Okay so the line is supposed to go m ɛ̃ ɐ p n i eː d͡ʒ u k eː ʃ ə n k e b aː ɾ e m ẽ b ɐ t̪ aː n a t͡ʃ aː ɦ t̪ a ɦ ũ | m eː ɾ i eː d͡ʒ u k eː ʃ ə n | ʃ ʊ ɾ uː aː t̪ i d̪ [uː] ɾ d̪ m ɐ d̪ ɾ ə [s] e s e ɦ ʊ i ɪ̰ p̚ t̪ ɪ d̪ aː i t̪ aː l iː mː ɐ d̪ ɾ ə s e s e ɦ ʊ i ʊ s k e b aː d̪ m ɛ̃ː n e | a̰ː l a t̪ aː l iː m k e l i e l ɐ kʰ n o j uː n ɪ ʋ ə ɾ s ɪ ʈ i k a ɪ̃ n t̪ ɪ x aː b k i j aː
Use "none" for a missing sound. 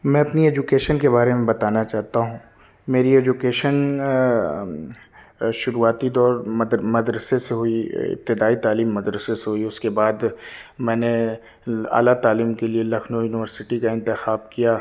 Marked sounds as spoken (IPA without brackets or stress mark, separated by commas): ɔː, s